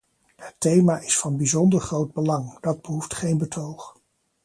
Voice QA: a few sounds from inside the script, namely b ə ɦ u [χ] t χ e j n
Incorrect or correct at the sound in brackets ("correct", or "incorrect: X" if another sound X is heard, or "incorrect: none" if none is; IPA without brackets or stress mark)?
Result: incorrect: f